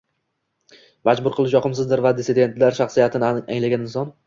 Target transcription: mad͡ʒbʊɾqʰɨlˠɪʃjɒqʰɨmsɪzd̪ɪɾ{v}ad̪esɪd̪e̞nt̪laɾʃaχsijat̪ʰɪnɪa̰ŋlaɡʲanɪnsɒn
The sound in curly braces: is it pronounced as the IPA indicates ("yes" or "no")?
yes